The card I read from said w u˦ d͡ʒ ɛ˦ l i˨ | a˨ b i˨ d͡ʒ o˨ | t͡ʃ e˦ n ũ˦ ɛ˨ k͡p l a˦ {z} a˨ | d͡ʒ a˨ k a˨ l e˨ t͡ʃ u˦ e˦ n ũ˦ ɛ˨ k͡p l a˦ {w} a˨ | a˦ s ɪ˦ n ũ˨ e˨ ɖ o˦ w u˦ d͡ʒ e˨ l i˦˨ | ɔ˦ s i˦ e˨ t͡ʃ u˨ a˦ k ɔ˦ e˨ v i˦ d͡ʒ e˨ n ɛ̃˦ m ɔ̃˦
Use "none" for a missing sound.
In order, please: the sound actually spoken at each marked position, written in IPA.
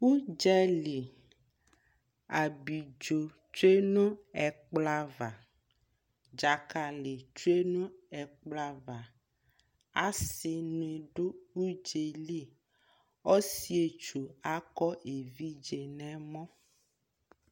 v, v

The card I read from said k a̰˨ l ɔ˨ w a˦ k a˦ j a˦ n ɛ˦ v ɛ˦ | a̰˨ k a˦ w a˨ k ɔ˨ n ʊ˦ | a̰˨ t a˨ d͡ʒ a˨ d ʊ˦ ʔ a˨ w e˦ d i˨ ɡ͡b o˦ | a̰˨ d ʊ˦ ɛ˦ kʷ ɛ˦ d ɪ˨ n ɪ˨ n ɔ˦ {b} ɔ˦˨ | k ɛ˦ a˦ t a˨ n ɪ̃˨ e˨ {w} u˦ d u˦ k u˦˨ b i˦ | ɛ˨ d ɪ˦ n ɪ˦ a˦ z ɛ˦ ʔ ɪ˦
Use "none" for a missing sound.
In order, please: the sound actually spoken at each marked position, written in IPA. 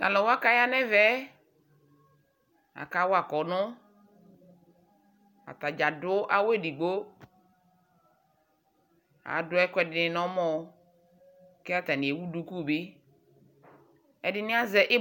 m, w

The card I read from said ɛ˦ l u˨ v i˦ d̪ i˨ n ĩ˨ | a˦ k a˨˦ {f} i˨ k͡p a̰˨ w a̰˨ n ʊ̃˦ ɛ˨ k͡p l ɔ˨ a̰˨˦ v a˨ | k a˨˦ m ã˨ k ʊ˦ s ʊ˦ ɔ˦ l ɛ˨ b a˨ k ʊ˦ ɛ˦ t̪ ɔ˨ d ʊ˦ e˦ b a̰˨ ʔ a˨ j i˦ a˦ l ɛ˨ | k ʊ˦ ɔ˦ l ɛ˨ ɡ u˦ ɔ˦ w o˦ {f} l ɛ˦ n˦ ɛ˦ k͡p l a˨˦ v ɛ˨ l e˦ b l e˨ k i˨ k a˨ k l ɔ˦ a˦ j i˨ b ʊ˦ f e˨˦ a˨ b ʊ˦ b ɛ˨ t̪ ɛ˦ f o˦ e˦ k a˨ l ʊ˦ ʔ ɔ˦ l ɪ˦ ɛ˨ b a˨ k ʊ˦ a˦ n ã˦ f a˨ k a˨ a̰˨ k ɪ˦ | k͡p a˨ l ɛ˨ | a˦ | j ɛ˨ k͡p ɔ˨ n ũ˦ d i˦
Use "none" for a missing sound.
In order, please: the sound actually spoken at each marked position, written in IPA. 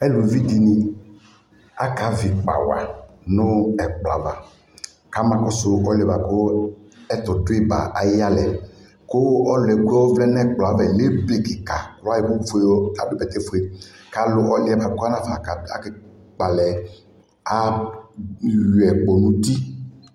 v, v

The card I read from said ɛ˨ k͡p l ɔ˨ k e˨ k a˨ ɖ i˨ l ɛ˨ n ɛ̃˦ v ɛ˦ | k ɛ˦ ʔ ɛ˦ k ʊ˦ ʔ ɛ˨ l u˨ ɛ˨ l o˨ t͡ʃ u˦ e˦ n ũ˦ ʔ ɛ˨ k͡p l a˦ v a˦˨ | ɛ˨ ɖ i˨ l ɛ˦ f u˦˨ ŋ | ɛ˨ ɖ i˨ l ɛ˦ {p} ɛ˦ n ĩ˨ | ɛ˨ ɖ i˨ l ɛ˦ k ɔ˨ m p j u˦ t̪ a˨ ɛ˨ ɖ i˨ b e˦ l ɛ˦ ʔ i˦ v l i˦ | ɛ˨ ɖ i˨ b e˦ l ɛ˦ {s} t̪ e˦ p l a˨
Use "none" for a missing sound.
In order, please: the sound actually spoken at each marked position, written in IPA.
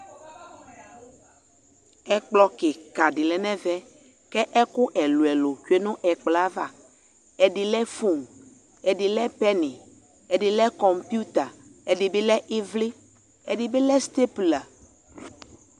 p, s

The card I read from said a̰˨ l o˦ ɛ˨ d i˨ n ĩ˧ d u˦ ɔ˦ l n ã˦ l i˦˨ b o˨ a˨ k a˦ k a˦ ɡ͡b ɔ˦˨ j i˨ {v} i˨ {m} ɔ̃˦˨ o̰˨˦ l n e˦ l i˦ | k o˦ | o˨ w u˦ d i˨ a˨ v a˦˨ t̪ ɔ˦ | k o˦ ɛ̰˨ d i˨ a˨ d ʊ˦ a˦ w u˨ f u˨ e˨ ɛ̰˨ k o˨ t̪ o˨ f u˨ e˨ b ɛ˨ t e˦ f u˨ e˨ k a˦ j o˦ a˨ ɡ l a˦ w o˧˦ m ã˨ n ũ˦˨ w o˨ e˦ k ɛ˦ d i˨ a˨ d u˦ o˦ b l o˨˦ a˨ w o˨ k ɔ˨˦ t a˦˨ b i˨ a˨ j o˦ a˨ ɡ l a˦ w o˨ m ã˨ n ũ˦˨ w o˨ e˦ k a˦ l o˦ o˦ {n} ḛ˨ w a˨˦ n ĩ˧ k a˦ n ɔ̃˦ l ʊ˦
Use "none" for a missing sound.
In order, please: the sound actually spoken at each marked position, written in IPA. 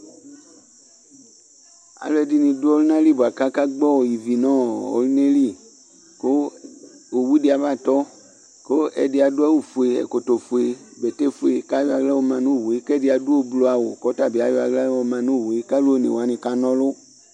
v, n, n

